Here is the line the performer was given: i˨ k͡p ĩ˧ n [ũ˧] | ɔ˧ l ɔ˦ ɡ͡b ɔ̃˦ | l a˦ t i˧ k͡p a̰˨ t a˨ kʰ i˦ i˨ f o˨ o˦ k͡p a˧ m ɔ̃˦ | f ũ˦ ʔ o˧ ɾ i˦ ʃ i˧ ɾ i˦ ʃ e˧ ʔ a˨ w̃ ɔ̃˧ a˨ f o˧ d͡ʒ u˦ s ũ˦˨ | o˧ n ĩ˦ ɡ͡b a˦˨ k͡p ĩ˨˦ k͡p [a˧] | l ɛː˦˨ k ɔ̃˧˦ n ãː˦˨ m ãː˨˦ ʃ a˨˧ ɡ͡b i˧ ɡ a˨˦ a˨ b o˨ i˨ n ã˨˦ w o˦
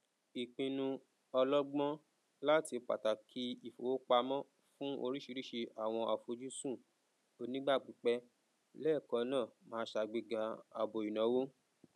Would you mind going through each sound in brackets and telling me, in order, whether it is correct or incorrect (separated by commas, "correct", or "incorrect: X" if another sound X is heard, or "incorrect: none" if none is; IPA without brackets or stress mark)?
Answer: correct, incorrect: ɛ˧